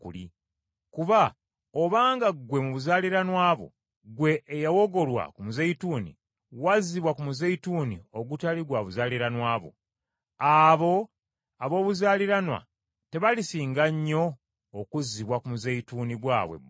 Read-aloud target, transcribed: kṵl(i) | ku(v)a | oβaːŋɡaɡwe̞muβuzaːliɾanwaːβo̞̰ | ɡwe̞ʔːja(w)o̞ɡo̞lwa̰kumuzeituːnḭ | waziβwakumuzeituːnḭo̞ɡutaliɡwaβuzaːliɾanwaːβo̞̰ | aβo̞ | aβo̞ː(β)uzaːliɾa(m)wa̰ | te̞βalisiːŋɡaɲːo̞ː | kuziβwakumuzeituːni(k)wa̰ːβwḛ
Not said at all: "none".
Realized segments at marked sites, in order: i, β, w, β, n, ɡ

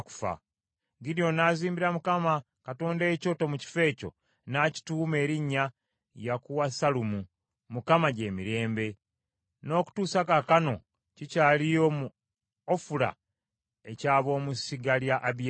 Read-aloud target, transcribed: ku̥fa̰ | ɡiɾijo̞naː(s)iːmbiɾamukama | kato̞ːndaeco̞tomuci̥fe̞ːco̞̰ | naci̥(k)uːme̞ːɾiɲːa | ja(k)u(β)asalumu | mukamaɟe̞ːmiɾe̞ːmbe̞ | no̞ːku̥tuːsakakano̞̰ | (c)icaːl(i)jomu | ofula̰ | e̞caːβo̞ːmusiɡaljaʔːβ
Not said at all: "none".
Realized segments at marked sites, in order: z, t, k, w, c, i

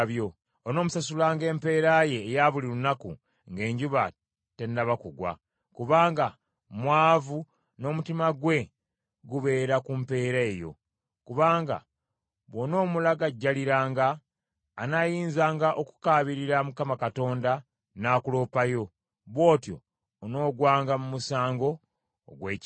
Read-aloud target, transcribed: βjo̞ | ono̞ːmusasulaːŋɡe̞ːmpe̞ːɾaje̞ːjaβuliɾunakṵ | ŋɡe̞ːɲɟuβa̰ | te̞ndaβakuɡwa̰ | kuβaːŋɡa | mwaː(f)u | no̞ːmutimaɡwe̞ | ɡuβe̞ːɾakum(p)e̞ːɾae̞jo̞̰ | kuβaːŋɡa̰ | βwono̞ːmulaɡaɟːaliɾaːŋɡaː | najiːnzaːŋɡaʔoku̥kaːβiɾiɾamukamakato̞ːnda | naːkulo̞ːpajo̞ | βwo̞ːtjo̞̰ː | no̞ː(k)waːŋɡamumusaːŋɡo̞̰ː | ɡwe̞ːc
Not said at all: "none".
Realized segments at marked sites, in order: v, p, ɡ

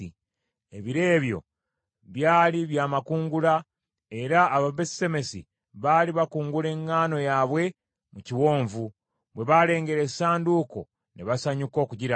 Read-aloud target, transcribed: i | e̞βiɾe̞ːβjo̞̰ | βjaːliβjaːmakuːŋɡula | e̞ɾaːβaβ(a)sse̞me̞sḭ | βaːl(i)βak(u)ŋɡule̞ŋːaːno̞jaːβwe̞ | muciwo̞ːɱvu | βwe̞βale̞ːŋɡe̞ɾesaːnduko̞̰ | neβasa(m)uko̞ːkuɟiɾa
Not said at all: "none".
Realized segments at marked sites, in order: e, i, uː, ɲ

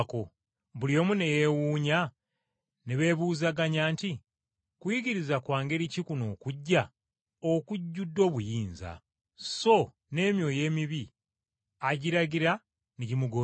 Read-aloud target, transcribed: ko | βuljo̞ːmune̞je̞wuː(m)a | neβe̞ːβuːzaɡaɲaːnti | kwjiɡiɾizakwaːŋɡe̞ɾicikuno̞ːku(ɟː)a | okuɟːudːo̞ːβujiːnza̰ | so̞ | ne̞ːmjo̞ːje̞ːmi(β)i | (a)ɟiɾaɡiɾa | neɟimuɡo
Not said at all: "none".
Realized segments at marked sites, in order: ɲ, ɟː, β, a

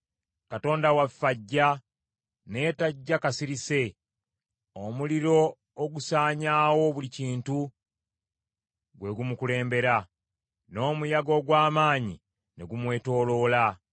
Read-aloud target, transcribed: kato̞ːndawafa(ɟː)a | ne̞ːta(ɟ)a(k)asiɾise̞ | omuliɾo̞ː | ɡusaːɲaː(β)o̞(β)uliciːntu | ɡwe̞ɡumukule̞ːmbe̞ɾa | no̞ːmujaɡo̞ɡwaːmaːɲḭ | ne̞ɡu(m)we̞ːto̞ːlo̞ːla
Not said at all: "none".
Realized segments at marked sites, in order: ɟː, ɟː, k, w, β, m

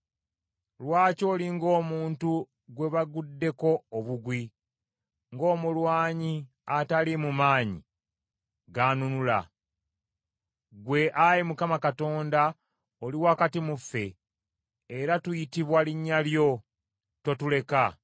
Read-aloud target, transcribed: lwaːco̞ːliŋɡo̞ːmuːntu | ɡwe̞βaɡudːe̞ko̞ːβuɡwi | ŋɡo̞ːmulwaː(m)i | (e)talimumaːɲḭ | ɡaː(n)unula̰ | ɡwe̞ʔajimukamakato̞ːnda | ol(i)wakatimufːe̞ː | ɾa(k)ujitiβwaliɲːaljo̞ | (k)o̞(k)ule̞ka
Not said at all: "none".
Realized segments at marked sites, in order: ɲ, a, n, i, t, t, t

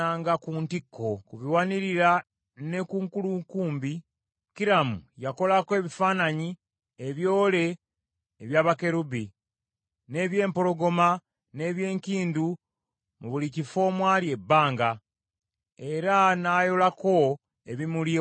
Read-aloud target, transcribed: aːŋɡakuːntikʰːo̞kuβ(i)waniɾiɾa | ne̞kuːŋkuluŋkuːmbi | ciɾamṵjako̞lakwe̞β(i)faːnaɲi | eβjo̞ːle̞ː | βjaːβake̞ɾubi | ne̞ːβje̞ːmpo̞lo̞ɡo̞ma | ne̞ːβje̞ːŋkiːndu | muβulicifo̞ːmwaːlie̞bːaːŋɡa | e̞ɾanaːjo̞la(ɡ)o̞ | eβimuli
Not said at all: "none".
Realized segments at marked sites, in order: i, i, k

